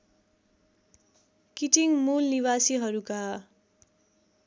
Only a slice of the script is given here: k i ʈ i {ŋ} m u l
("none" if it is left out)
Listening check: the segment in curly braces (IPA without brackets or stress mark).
ŋ